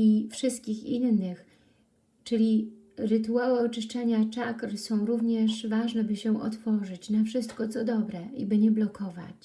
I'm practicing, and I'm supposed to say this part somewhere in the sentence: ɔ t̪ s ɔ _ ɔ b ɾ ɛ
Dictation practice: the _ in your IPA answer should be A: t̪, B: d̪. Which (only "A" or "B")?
B